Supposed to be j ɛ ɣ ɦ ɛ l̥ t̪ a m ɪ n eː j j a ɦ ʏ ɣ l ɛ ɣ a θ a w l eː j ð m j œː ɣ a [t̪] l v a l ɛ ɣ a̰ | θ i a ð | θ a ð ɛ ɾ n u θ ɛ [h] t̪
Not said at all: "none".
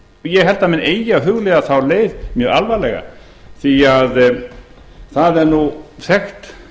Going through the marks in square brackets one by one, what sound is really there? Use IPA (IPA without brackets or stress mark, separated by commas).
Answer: none, x